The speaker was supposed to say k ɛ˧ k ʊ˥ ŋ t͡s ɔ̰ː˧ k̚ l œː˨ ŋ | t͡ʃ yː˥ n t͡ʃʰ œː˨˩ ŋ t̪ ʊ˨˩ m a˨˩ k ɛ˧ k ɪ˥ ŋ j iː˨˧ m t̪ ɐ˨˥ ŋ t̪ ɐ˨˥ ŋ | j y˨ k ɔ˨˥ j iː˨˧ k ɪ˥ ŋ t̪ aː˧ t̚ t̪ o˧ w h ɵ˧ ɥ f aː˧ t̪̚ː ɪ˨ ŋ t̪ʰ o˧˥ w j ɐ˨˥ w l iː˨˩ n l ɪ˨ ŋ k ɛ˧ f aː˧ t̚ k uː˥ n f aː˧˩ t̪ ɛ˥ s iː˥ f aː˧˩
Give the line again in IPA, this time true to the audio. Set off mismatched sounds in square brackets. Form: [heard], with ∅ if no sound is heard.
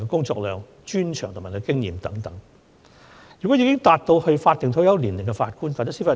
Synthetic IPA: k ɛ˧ k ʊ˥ ŋ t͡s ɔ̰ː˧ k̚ l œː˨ ŋ | t͡ʃ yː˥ n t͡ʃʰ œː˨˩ ŋ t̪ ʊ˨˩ m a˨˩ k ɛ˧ k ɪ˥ ŋ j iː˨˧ m t̪ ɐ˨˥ ŋ t̪ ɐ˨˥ ŋ | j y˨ k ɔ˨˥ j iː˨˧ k ɪ˥ ŋ t̪ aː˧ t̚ t̪ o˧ w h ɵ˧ ɥ f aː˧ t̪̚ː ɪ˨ ŋ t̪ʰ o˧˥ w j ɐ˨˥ w l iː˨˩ n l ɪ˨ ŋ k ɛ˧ f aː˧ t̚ k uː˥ n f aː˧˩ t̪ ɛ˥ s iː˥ f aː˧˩